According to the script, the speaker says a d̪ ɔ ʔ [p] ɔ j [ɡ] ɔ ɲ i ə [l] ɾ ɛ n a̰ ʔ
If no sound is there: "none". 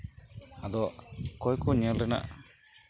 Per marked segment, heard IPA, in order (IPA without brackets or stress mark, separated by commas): k, k, l